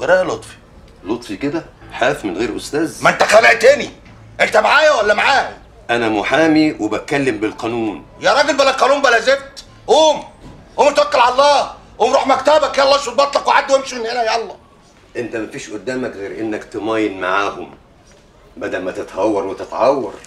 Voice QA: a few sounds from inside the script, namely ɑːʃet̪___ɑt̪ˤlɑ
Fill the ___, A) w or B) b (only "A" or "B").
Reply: B